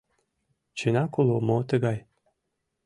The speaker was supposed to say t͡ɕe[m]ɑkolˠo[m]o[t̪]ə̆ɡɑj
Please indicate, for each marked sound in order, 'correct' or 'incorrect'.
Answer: incorrect: n, correct, correct

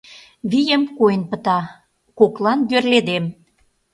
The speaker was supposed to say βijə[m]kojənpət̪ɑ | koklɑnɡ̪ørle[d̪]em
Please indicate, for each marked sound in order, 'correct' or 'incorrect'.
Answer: correct, correct

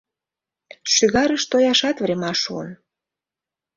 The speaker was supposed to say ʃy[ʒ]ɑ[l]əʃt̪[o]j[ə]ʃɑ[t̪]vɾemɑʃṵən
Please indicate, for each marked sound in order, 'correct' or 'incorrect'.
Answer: incorrect: ɣ, incorrect: ɾ, correct, incorrect: ɑ, correct

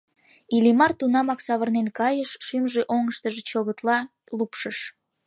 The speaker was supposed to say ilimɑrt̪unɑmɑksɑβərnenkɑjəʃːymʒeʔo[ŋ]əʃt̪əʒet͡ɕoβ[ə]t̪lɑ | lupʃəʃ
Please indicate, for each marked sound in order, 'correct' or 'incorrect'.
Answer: correct, correct

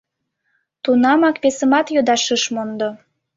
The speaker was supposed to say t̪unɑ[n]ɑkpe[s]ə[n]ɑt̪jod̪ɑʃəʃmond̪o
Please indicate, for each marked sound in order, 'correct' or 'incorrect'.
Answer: incorrect: m, correct, incorrect: m

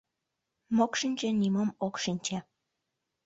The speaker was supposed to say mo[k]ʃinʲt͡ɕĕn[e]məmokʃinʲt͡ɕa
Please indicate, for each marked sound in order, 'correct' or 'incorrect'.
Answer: correct, incorrect: i

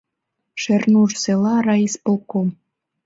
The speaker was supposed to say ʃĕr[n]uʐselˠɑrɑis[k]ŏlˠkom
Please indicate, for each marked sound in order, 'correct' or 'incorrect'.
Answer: correct, incorrect: p

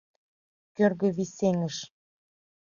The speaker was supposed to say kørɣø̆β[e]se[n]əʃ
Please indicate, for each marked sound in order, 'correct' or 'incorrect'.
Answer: incorrect: i, incorrect: ŋ

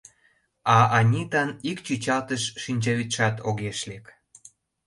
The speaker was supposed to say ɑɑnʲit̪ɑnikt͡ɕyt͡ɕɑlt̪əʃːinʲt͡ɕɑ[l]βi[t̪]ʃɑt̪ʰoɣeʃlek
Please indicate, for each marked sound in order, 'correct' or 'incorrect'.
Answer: incorrect: none, correct

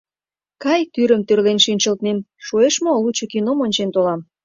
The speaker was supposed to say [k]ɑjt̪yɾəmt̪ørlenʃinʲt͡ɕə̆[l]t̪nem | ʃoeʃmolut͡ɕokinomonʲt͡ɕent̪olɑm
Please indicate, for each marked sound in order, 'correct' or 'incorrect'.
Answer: correct, correct

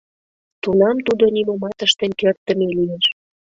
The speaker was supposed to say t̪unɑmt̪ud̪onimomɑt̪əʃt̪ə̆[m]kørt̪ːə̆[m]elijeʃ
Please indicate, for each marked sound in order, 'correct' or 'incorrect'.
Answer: incorrect: n, correct

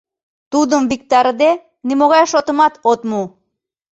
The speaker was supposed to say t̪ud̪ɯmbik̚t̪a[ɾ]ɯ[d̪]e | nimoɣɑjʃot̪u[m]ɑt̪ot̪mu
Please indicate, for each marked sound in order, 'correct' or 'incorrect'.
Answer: correct, correct, correct

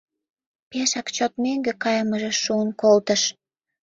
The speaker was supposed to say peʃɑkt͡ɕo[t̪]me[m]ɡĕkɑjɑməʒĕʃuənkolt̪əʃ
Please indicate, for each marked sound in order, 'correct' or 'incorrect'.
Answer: correct, incorrect: ŋ

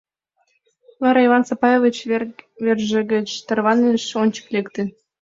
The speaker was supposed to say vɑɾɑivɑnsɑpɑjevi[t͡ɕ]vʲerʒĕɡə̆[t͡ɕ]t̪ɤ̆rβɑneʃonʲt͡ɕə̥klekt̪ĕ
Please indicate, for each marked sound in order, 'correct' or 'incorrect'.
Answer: correct, correct

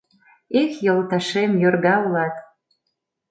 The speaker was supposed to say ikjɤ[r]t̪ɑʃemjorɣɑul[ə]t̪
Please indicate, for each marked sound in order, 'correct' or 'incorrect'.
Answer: incorrect: l, incorrect: ɑ

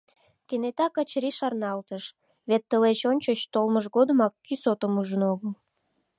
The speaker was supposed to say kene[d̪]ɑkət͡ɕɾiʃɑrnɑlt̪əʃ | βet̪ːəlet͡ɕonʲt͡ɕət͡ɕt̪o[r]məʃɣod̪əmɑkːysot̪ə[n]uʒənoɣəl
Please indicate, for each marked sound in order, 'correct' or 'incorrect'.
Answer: incorrect: t̪, incorrect: l, incorrect: m

